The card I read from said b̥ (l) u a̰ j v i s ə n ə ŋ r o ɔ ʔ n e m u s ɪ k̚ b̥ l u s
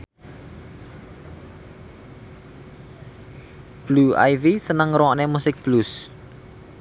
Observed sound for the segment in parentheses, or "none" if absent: l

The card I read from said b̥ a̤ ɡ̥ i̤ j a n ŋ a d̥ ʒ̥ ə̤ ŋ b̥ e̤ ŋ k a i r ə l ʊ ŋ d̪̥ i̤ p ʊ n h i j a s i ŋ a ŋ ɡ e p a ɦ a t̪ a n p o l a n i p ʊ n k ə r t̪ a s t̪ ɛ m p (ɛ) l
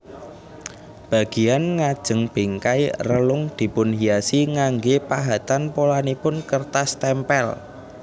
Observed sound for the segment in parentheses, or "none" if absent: ɛ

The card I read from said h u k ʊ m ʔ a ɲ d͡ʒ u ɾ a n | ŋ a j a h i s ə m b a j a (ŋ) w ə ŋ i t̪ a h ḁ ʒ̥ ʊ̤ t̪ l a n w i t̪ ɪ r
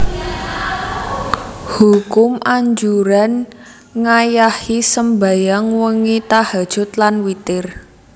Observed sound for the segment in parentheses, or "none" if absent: ŋ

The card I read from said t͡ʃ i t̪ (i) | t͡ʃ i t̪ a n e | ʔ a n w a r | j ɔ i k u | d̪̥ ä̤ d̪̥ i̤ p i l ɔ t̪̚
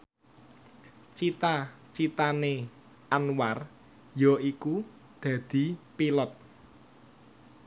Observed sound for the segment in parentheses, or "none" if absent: a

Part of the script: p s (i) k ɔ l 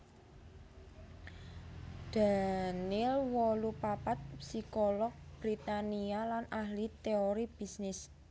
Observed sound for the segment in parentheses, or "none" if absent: i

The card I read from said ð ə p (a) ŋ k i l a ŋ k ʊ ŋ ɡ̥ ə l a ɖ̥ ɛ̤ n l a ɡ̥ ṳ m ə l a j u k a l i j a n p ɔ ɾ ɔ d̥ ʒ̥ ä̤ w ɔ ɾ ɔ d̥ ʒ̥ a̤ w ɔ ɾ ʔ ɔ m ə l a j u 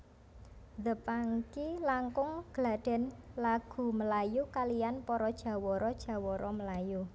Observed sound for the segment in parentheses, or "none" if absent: a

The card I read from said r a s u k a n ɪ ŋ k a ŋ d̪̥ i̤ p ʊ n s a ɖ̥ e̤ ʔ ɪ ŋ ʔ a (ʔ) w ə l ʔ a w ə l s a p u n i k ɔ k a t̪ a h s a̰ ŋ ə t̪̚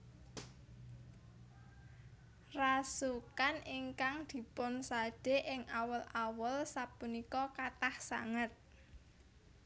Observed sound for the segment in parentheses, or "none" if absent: none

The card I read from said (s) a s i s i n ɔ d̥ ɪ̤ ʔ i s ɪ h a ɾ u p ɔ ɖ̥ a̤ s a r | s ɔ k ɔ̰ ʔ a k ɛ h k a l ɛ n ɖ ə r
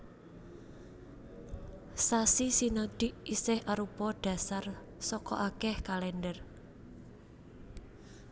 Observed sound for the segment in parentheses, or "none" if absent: s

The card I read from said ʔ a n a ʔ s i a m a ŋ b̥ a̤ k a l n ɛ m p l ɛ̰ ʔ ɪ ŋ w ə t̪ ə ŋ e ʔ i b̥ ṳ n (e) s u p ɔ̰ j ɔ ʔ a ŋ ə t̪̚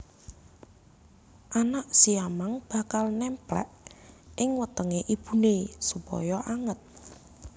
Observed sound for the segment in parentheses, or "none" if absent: e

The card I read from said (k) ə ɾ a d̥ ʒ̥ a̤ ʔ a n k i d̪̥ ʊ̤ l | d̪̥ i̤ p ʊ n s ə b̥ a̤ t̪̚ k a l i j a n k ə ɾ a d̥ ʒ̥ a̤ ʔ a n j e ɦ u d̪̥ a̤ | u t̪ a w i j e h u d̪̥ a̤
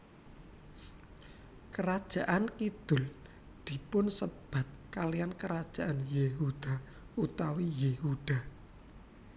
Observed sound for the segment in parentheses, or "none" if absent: k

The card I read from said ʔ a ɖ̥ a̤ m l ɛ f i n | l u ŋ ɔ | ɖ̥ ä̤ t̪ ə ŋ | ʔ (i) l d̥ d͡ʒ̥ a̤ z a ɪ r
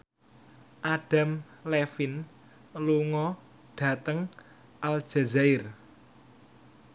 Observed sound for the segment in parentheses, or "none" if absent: a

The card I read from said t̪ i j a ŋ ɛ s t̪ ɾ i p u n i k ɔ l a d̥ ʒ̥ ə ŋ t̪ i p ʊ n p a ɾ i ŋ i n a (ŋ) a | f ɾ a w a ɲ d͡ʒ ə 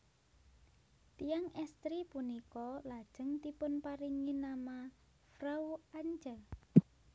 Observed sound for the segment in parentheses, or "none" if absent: m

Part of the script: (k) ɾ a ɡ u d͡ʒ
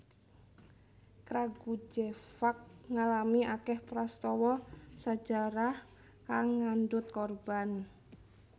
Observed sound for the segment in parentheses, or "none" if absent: k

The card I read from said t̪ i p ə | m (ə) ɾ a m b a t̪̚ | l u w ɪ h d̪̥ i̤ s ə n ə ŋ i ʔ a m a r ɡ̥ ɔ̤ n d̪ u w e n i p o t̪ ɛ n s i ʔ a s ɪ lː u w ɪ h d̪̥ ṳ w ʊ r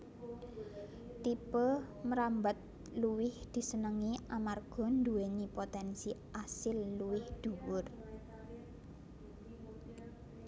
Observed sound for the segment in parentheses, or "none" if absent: ə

